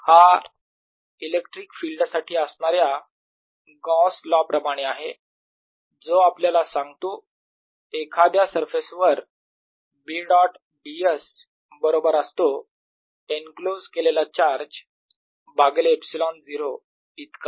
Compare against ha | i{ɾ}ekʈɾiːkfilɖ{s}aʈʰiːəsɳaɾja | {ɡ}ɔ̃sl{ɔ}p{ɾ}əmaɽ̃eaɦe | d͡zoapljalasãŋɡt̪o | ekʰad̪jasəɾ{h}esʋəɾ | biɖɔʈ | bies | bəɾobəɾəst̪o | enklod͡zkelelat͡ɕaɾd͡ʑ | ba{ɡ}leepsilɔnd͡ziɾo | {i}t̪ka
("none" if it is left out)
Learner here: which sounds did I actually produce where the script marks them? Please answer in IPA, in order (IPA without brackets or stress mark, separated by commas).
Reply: l, s, ɡ, ɔ, ɾ, f, ɡ, i